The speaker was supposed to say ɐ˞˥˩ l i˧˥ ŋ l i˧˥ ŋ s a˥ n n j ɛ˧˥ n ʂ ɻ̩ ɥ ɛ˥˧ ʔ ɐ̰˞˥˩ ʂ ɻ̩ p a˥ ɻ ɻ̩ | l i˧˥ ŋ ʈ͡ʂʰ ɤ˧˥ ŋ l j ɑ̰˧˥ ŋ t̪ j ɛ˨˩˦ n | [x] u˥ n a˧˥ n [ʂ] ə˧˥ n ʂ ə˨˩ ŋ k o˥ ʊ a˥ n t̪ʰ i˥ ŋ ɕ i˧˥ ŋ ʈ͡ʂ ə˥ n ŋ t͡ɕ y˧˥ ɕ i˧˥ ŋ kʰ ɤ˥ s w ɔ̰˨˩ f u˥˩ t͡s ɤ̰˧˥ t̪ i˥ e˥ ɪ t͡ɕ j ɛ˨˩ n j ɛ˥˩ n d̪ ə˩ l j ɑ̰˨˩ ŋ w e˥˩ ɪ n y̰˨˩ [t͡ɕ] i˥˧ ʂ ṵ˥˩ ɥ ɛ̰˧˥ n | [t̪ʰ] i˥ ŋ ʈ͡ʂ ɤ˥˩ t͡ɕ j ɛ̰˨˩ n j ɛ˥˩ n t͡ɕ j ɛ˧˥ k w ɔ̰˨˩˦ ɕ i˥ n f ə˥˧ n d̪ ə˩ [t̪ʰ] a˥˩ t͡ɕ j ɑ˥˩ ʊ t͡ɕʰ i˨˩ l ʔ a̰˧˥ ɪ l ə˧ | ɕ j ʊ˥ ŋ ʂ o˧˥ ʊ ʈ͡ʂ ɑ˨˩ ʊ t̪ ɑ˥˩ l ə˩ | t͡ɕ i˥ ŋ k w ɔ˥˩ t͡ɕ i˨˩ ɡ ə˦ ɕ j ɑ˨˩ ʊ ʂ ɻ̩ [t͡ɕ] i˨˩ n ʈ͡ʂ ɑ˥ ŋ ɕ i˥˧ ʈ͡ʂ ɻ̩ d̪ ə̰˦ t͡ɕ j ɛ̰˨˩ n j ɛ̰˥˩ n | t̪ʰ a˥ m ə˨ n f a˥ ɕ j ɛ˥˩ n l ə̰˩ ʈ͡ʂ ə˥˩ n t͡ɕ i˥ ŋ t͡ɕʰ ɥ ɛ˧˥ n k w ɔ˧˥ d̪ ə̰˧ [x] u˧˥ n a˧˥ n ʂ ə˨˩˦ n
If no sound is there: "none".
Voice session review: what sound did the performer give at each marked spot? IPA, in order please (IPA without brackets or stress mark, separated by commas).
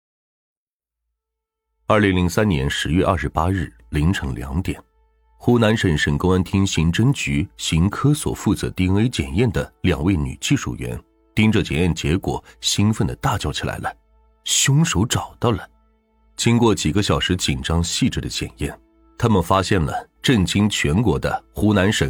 x, ʂ, t͡ɕ, t̪, t̪, t͡ɕ, x